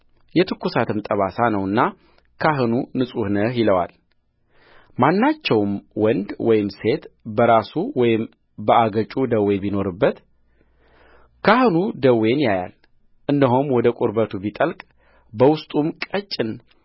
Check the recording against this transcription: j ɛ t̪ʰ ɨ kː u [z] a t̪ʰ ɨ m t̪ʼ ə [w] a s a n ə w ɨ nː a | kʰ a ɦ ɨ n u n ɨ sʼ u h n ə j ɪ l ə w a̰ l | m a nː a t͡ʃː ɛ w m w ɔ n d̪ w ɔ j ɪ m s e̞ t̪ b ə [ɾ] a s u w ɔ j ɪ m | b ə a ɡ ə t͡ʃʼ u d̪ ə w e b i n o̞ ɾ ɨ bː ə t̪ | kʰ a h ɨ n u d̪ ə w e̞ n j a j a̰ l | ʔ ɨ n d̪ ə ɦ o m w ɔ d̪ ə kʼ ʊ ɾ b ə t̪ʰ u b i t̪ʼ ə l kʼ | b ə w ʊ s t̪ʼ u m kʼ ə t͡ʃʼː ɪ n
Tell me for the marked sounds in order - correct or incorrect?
incorrect: s, incorrect: β, correct

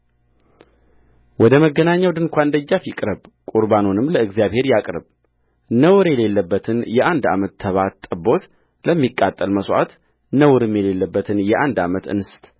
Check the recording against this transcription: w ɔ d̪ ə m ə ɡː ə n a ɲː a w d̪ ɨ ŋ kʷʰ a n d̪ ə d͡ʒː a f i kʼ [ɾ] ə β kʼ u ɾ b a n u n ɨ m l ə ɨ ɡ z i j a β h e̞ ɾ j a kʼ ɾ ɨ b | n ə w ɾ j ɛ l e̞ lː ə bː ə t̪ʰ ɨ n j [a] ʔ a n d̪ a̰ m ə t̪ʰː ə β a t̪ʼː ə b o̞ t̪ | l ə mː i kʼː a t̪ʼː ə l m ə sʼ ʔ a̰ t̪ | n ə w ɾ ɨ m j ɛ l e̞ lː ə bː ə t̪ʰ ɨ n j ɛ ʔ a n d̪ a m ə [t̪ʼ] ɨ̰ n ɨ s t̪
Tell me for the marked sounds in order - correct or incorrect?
correct, incorrect: ɛ, incorrect: t̪

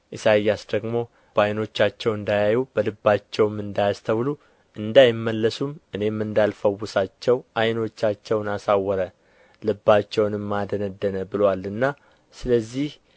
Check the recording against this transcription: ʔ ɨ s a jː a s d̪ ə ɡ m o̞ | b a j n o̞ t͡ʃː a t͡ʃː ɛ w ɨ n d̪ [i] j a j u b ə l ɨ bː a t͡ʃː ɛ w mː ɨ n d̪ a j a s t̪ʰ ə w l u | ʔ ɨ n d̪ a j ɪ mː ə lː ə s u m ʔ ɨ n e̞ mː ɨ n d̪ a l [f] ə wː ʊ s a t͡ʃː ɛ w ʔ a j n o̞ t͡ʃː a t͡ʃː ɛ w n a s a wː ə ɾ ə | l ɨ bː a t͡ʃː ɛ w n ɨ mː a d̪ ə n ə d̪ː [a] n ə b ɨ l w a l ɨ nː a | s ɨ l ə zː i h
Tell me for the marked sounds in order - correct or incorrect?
incorrect: a, correct, incorrect: ə

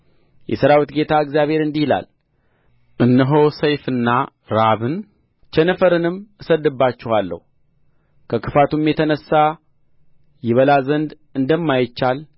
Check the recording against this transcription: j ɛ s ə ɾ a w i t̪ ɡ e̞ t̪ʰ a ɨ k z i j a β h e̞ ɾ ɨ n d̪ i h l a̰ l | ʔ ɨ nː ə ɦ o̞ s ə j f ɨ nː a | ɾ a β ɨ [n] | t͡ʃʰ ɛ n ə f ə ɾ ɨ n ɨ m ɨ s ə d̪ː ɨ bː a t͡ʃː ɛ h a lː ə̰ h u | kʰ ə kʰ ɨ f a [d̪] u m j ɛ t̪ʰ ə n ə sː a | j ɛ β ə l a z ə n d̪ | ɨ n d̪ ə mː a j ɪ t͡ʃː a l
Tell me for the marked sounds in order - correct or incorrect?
correct, incorrect: t̪

